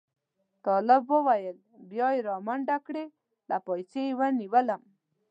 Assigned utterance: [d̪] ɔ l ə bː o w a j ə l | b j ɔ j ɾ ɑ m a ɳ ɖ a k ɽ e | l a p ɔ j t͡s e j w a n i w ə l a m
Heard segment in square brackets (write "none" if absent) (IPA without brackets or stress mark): t̪